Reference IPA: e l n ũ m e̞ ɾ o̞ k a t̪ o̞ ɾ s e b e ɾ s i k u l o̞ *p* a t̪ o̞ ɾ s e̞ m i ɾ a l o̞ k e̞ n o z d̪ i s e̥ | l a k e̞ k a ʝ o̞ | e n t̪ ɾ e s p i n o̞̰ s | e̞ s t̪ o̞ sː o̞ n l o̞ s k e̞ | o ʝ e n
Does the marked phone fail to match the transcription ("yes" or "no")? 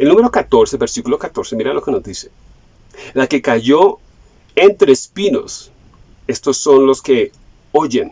yes